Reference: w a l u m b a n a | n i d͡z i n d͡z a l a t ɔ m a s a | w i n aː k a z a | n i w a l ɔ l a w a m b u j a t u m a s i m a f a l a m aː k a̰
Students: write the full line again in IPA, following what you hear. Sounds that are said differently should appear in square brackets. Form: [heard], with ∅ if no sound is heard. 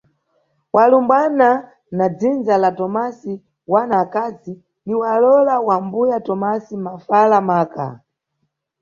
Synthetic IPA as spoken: w a l u m b a n a | n [a] d͡z i n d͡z a l a t ɔ m a s [i] | w [a] n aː k a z [i] | n i w a l ɔ l a w a m b u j a t [ɔ] m a s i m a f a l a m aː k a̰